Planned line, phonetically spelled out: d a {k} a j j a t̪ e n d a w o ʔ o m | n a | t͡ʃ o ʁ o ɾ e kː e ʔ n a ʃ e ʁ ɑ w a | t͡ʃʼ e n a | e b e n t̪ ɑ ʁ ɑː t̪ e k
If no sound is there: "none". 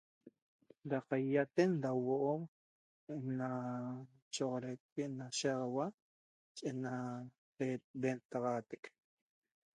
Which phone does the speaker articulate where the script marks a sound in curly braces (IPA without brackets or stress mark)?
q